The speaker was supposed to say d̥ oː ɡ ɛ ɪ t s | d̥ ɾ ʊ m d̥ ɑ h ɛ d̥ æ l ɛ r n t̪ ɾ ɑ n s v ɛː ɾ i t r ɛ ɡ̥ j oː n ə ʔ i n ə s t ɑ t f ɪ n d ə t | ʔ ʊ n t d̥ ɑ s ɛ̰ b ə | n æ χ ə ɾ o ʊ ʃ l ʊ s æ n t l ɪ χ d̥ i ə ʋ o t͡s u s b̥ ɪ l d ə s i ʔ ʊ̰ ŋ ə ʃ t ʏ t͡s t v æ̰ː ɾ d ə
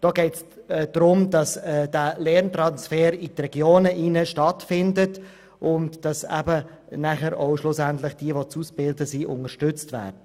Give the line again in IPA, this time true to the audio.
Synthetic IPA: d̥ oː ɡ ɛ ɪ t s | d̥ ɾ ʊ m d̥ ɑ s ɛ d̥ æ l ɛ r n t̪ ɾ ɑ n s f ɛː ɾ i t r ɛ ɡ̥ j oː n ə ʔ i n ə ʃ t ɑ t f ɪ n d ə t | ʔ ʊ n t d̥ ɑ s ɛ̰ b ə | n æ χ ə ɾ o ʊ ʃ l ʊ s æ n t l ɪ χ d̥ i ə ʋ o t͡s u s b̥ ɪ l d ə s i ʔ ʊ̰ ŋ ə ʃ t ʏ t͡s t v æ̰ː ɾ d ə

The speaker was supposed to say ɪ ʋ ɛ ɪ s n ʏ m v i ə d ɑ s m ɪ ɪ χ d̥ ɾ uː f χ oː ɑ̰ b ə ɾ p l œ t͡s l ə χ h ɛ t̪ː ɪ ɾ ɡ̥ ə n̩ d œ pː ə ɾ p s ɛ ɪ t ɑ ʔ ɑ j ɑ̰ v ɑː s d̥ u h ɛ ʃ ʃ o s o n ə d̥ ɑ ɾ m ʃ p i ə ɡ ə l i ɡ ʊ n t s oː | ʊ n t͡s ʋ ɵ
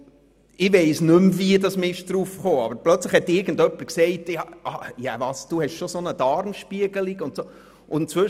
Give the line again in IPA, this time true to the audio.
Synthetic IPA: ɪ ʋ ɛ ɪ s n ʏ m v i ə d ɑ s m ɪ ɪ ʃ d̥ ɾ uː f χ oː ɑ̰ b ə ɾ p l œ t͡s l ə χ h ɛ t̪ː ɪ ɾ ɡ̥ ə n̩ d œ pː ə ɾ k s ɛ ɪ t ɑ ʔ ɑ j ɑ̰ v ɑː s d̥ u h ɛ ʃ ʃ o s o n ə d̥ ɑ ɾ m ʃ p i ə ɡ ə l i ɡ ʊ n t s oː | ʊ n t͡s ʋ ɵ

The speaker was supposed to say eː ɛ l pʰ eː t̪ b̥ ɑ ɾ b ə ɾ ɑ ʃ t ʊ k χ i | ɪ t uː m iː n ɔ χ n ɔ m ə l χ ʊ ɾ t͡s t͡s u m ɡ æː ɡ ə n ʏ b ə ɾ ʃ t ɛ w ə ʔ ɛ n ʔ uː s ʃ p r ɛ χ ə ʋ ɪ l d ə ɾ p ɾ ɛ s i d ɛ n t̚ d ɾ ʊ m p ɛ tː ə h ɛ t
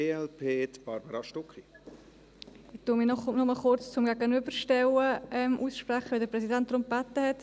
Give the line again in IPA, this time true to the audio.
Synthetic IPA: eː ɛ l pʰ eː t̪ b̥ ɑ ɾ b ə ɾ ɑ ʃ t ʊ k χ i | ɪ t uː m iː n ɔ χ n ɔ m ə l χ ʊ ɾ t͡s t͡s ʊ m ɡ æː ɡ ə n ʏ b ə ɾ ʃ t ɛ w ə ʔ ɛ m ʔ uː s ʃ p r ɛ χ ə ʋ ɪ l d ə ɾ p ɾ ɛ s i d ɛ n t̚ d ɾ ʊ m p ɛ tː ə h ɛ t

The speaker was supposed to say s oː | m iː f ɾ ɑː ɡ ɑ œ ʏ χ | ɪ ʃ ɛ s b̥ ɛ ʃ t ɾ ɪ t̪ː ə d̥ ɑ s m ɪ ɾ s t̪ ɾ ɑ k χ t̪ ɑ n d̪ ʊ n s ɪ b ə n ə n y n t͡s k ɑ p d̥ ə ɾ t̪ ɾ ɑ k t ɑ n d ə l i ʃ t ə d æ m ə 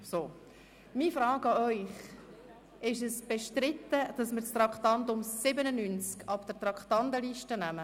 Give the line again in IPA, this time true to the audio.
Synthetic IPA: s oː | m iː f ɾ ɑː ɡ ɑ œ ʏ χ | ɪ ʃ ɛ s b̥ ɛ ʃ t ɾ ɪ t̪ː ə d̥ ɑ s m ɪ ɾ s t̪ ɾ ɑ k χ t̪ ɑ n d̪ ʊ m s ɪ b ə n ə n y n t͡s k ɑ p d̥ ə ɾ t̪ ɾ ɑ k t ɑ n d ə l i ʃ t ə n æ m ə

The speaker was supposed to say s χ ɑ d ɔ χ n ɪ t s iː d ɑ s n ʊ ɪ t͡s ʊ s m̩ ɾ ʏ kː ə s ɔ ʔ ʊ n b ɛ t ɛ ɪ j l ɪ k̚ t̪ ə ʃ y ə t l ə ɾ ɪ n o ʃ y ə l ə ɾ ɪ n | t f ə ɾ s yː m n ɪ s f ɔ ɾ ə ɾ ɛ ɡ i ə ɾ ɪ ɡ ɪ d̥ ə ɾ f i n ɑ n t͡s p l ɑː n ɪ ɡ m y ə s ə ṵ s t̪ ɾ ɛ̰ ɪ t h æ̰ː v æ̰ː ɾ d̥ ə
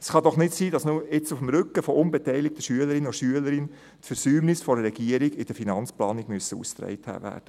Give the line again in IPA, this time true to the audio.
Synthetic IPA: s χ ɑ d ɔ χ n ɪ t s iː d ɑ s n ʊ ɪ t͡s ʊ f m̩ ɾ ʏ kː ə f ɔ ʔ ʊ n b ɛ t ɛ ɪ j l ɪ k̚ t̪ ə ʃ y ə l ə ɾ ɪ n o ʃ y ə l ə ɾ ɪ n | t f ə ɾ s yː m n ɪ s f ɔ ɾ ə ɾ ɛ ɡ i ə ɾ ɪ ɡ ɪ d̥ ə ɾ f i n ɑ n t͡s p l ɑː n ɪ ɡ m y ə s ə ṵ s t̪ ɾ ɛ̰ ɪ t h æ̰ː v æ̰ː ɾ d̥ ə

